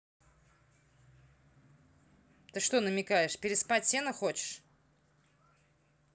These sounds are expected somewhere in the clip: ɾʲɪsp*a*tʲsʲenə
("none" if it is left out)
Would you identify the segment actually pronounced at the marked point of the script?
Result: a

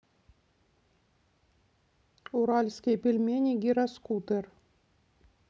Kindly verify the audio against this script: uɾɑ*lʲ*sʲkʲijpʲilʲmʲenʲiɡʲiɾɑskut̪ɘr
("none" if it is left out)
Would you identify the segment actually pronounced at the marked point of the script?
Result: lʲ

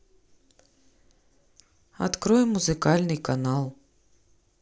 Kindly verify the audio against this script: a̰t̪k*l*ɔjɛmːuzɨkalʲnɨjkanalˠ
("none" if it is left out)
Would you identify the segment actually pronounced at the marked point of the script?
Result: ɾ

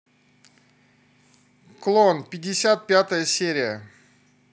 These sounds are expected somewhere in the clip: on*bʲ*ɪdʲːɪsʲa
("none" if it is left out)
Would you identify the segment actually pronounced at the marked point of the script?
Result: pʲ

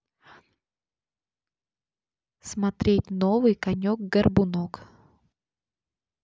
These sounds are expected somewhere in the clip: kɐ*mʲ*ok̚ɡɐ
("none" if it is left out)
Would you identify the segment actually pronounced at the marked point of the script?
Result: nʲ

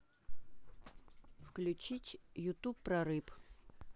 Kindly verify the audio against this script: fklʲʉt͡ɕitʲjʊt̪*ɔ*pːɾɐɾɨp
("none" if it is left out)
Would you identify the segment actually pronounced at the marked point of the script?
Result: u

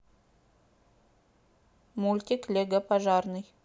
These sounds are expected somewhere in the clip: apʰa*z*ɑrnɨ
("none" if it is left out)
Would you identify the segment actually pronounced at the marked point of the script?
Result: ʒ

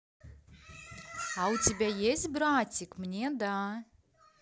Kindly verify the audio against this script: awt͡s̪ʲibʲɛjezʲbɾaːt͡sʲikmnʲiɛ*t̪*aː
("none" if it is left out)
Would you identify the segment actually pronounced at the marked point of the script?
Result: d̪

